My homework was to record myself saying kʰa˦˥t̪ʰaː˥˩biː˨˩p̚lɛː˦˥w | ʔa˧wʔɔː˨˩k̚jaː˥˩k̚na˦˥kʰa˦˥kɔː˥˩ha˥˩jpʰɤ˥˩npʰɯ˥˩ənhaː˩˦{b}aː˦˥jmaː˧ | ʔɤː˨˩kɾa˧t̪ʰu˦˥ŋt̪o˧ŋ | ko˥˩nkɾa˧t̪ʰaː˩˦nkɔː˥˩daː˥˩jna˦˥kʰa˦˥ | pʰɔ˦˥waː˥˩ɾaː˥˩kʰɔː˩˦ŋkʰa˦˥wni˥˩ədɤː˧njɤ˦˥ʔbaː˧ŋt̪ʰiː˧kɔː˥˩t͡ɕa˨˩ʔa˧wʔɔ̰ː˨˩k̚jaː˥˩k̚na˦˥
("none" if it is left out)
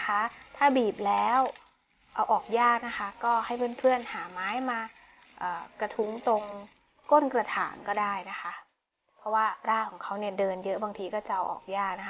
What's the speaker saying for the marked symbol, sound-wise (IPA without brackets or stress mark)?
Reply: m